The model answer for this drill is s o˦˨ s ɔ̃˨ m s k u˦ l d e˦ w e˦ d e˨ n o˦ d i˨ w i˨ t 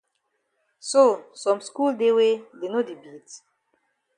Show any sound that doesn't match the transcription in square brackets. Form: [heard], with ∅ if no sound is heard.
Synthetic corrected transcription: s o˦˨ s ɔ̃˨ m s k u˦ l d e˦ w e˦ d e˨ n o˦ d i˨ [b] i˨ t

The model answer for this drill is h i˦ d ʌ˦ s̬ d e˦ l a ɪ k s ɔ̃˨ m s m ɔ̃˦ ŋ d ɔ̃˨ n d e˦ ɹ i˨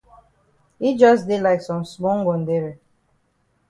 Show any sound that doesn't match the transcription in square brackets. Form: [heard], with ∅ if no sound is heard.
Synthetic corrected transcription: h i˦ [d͡ʒ] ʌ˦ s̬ d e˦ l a ɪ k s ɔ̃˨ m s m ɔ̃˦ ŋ [ɡ] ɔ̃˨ n d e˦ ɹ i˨

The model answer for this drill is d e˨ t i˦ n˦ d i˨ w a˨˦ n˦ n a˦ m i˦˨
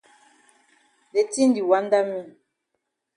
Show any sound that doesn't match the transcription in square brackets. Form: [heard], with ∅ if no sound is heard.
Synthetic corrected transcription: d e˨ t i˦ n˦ d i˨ w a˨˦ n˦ [d] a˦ m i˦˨

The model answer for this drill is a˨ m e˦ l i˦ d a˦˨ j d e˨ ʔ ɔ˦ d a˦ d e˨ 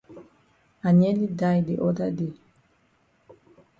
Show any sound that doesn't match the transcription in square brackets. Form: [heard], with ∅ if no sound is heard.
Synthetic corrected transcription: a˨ [ɲ] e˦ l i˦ d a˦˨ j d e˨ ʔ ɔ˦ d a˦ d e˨

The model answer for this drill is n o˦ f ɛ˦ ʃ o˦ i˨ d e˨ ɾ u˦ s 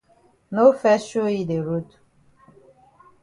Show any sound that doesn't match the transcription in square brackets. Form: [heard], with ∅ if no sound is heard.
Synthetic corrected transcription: n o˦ f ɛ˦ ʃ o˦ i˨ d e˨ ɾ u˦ [t]

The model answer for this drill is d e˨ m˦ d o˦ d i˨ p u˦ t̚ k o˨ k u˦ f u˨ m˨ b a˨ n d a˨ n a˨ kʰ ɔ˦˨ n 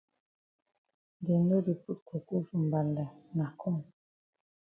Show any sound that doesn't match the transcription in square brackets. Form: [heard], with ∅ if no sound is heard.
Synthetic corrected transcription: d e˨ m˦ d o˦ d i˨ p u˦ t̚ k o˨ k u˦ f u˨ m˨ b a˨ n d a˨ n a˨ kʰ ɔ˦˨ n

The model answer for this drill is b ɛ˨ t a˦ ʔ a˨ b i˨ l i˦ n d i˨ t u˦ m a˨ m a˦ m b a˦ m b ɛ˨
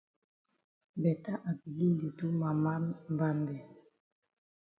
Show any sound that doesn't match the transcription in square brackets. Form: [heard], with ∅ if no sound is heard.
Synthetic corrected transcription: b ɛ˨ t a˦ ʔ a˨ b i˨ l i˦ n d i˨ t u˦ m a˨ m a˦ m b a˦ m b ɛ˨

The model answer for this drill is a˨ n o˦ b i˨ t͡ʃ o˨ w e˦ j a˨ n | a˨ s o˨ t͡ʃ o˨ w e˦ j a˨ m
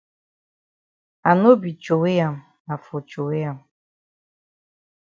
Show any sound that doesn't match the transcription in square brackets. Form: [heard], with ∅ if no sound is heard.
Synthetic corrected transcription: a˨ n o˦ b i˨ t͡ʃ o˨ w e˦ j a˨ [m] | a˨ [f] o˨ t͡ʃ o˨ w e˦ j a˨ m

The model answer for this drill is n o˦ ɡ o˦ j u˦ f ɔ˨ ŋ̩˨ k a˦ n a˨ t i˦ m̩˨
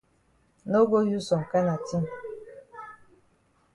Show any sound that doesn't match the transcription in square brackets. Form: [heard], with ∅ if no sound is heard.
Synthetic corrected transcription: n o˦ ɡ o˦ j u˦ [s] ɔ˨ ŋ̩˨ k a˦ n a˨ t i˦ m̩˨

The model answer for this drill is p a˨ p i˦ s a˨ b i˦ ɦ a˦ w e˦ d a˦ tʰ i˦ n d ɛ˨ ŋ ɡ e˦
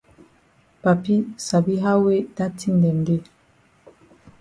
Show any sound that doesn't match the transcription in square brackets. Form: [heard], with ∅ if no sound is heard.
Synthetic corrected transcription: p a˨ p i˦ s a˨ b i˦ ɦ a˦ w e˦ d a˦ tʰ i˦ n d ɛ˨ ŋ ɡ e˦

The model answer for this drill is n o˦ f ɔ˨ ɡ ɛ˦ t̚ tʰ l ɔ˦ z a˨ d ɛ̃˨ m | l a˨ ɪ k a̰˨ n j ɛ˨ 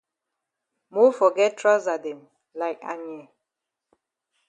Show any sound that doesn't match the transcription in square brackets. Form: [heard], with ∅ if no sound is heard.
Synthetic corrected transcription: [m] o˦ f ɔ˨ ɡ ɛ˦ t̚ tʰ [ɹ] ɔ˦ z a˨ d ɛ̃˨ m | l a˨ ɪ k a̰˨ n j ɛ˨

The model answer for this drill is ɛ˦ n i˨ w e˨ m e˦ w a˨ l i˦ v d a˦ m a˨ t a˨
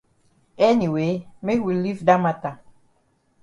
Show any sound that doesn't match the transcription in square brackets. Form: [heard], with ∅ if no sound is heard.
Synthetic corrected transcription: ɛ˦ n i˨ w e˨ m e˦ w [i˨] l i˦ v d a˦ m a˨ t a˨

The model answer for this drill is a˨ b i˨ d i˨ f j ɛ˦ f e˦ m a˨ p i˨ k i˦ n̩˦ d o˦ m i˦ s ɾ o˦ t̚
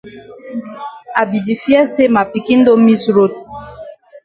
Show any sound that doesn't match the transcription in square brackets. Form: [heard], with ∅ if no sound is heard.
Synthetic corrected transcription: a˨ b i˨ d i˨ f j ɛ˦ [s] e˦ m a˨ p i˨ k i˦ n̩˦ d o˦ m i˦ s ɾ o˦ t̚

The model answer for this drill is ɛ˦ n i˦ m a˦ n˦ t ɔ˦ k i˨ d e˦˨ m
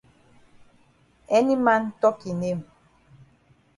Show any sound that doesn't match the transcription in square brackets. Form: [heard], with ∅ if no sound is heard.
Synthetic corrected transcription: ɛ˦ n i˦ m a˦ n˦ t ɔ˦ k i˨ [n] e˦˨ m

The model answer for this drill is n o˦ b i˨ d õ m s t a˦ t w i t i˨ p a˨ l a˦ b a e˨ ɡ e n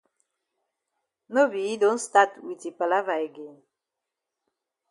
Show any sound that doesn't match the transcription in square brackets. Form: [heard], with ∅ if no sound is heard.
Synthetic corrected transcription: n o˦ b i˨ d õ [n] s t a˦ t w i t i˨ p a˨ l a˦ [v] a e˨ ɡ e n

